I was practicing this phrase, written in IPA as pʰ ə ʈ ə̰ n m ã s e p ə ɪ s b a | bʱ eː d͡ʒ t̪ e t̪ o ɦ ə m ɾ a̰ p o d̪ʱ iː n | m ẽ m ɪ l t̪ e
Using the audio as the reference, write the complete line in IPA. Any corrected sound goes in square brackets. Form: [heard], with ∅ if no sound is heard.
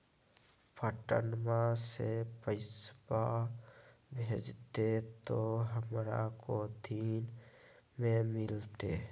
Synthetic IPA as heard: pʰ ə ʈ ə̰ n m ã s e p ə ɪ s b a | bʱ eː d͡ʒ t̪ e t̪ o ɦ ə m ɾ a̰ [k] o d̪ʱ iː n | m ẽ m ɪ l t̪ e